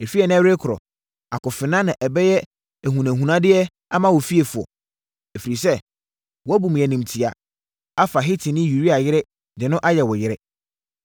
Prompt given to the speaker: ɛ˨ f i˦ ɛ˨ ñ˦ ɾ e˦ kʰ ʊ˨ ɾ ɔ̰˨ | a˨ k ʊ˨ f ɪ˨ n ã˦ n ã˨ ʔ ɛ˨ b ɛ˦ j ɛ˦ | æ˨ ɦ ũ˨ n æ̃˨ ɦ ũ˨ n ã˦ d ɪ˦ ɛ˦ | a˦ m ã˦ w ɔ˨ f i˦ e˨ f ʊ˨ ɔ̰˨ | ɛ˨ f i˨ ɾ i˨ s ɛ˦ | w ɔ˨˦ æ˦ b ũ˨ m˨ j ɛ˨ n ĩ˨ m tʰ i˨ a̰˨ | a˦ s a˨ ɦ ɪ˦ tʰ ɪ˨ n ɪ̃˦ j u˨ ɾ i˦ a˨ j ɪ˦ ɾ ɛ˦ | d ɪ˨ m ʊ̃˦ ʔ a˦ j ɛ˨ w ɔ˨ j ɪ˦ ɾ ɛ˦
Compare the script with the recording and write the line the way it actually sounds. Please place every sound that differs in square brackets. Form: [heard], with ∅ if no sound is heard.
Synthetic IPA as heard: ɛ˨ f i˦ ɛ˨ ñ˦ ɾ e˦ kʰ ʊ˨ ɾ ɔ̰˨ | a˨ k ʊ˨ f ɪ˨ n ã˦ n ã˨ ʔ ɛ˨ b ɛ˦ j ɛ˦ | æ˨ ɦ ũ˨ n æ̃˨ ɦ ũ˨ n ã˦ d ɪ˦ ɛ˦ | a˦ m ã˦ w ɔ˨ f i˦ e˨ f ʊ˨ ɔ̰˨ | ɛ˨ f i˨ ɾ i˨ s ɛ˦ | w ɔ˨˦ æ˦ b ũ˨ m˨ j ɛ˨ n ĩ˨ m tʰ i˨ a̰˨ | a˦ [f] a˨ ɦ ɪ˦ tʰ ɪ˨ n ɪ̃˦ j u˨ ɾ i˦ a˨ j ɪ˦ ɾ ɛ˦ | d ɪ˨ [n] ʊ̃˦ ʔ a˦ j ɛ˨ w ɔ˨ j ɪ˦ ɾ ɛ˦